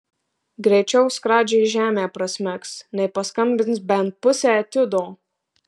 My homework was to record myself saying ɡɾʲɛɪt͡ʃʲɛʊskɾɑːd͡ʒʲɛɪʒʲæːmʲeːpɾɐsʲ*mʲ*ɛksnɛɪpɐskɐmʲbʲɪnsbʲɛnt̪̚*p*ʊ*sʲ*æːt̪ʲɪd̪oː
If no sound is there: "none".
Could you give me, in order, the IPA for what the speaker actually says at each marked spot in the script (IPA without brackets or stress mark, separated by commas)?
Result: mʲ, p, sʲ